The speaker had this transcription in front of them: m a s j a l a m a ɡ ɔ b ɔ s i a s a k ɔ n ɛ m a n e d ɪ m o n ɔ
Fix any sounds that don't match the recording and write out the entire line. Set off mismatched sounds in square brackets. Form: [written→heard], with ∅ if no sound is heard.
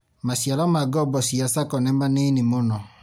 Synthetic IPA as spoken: m a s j a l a m a ɡ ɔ b ɔ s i a s a k ɔ n ɛ m a n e [d→n] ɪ m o n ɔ